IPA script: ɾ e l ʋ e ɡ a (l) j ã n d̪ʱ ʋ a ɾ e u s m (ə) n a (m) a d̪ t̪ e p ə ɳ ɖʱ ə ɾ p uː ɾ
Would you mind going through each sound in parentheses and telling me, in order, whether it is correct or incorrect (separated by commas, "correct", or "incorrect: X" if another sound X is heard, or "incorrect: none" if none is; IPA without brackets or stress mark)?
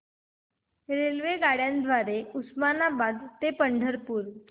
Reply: incorrect: ɽ, incorrect: a, incorrect: b